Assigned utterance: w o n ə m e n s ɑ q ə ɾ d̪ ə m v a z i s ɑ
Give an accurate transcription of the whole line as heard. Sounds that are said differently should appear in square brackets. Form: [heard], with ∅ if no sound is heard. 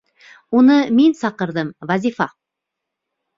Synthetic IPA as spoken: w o n ə m e n s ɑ q ə ɾ d̪ ə m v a z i [f] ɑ